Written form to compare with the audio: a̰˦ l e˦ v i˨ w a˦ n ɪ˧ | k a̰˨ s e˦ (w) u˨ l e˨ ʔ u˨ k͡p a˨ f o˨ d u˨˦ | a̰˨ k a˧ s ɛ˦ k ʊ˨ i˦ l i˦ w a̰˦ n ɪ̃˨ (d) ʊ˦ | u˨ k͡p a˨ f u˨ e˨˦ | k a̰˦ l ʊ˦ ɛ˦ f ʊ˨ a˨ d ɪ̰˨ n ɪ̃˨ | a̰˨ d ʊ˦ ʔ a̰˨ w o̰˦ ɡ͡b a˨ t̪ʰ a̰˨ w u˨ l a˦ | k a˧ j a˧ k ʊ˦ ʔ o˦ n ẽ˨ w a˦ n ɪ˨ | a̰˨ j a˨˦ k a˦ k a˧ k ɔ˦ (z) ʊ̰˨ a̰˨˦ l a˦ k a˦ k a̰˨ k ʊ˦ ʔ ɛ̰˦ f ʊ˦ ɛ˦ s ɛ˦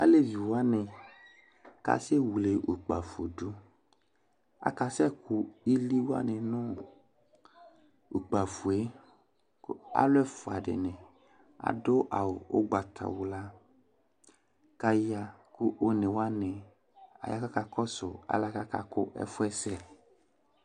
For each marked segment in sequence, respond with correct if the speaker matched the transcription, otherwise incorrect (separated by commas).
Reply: correct, incorrect, incorrect